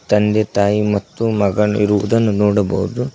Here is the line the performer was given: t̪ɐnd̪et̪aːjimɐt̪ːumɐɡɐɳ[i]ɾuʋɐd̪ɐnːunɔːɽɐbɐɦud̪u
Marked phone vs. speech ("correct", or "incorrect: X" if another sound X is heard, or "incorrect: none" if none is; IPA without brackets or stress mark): correct